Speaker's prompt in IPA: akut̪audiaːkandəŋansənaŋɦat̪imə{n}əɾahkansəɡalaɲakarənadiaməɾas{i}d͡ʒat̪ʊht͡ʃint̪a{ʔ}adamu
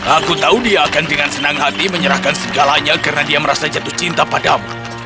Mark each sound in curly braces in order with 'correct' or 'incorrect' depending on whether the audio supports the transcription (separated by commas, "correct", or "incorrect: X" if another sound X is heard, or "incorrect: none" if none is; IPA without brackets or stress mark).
incorrect: ɲ, incorrect: a, incorrect: p